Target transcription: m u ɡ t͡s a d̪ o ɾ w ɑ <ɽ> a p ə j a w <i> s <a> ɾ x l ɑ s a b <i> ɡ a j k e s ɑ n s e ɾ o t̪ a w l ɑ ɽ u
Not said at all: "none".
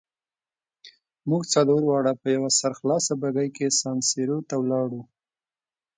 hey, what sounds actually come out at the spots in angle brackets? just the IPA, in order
ɽ, a, a, a

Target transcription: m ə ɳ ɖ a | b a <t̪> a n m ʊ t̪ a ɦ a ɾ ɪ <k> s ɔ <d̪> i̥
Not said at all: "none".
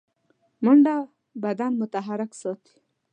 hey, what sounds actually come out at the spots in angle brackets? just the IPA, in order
d̪, k, t̪

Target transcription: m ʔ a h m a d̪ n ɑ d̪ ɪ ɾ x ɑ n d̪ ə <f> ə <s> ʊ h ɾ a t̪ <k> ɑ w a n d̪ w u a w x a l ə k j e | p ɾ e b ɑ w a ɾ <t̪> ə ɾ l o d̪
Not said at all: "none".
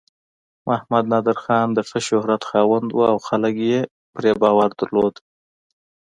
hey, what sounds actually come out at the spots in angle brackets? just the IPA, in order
f, ʃ, x, d̪

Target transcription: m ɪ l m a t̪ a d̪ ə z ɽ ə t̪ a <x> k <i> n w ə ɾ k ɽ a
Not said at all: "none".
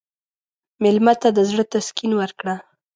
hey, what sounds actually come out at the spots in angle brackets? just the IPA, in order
s, i

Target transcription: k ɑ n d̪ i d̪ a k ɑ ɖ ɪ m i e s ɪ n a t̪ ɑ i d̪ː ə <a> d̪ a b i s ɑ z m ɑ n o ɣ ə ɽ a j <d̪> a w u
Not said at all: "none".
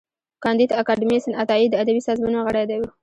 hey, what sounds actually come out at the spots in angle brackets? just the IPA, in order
a, d̪

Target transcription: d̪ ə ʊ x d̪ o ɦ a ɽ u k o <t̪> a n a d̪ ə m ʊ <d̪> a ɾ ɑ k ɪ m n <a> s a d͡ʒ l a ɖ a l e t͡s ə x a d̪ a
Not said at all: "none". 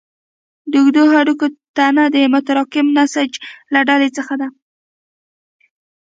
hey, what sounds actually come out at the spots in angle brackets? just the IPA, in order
t̪, t̪, a

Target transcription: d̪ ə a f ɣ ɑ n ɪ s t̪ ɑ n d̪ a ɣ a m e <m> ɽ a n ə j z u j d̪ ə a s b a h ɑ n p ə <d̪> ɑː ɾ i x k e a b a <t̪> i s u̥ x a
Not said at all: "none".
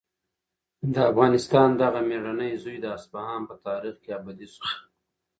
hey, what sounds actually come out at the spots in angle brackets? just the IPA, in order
none, t̪, d̪

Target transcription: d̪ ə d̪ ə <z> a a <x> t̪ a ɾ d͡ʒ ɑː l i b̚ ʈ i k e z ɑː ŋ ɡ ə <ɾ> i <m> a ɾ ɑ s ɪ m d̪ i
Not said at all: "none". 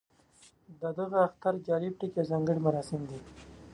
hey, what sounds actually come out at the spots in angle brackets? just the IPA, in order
ɣ, x, ɽ, m

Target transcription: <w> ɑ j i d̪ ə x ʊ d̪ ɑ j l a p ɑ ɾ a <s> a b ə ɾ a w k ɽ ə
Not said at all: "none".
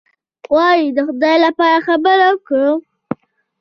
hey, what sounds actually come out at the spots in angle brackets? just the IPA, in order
w, x

